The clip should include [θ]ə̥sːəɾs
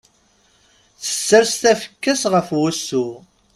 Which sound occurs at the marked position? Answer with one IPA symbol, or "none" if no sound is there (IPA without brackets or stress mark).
θ